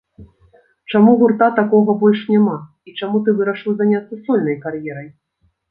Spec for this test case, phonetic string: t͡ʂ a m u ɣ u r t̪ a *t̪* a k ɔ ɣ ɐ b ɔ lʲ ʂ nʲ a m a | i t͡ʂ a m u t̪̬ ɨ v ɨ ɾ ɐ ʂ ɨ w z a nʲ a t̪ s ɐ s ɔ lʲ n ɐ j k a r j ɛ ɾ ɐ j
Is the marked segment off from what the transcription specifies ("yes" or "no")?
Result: no